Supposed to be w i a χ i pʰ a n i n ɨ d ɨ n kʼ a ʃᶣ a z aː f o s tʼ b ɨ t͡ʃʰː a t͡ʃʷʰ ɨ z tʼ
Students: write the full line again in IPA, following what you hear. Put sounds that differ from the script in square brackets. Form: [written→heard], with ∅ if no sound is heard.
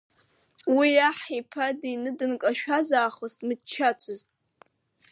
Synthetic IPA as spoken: w i a [χ→ħ] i pʰ a [n→d] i n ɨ d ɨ n kʼ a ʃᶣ a z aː [f→χ] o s tʼ [b→m] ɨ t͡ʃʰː a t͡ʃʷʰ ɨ z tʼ